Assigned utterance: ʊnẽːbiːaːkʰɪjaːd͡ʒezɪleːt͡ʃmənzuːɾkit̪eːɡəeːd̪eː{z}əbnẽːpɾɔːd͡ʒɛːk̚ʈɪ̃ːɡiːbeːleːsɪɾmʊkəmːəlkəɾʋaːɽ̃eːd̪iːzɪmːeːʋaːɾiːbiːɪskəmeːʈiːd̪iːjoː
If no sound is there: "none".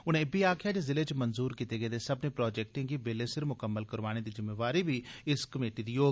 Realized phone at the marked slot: s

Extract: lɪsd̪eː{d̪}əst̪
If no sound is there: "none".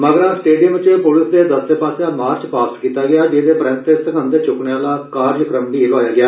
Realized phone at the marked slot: d̪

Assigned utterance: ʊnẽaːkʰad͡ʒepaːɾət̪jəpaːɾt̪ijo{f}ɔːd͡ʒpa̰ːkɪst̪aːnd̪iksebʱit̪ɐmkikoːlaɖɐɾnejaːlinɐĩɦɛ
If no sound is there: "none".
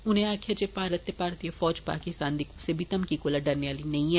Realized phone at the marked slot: f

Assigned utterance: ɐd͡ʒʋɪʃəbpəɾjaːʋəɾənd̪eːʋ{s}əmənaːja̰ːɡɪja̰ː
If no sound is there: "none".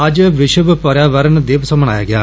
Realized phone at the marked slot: s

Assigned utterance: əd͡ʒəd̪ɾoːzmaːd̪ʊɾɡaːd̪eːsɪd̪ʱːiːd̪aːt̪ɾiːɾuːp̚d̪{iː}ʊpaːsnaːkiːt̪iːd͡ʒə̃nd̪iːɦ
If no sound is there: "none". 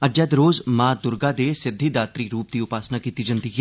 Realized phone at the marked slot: iː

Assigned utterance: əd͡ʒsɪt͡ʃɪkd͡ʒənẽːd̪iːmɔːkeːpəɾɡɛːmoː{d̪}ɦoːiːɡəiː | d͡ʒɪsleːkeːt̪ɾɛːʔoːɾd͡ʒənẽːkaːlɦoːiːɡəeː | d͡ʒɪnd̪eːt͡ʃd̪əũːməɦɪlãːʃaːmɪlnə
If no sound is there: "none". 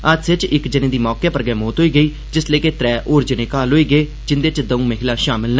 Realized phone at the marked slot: t̪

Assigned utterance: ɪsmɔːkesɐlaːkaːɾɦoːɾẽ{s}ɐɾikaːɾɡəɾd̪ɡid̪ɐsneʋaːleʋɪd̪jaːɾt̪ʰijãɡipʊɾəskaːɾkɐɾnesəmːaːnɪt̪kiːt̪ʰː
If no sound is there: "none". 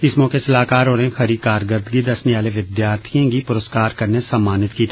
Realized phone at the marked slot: x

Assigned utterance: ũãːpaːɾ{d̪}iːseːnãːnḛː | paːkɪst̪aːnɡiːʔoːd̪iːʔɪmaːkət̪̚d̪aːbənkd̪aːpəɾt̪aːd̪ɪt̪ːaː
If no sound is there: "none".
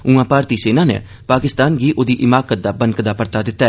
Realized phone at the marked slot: t̪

